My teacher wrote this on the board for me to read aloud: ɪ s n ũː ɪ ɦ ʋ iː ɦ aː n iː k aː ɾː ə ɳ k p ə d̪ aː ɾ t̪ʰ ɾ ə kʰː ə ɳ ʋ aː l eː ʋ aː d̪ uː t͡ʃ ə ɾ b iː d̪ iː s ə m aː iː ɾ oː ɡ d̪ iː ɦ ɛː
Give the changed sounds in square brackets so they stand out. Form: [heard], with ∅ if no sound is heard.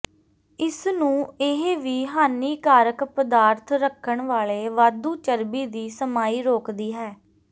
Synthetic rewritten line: ɪ s n ũː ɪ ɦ ʋ iː ɦ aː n iː k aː [ɾ] ə [∅] k p ə d̪ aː ɾ t̪ʰ ɾ ə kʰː ə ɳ ʋ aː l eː ʋ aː d̪ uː t͡ʃ ə ɾ b iː d̪ iː s ə m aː iː ɾ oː [k] d̪ iː ɦ ɛː